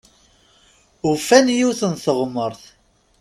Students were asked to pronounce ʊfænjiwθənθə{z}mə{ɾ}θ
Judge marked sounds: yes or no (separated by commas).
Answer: no, yes